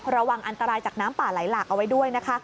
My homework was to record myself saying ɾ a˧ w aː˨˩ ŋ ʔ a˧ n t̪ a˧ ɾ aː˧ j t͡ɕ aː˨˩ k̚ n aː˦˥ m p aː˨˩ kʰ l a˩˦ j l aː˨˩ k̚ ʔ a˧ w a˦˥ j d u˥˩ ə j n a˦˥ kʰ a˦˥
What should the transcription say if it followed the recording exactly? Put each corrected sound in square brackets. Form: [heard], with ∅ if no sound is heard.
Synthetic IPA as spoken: ɾ a˧ w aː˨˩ ŋ ʔ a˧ n t̪ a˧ ɾ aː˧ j t͡ɕ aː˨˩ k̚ n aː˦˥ m p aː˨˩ [∅] l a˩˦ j l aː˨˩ k̚ ʔ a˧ w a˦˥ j d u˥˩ ə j n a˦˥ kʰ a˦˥